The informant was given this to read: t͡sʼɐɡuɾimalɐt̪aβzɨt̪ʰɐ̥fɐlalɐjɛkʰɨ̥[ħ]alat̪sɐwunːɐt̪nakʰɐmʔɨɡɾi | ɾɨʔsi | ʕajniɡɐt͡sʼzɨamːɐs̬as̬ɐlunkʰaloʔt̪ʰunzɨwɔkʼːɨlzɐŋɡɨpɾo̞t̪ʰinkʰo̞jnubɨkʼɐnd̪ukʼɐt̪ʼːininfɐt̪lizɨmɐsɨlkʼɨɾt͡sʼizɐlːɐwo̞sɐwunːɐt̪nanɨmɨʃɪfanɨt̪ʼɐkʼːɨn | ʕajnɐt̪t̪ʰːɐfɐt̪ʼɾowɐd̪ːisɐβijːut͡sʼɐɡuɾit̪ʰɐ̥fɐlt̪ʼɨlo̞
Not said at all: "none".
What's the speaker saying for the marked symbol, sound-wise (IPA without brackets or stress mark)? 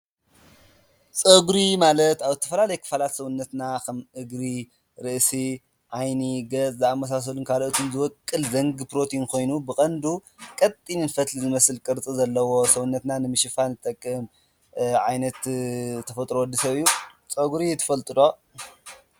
f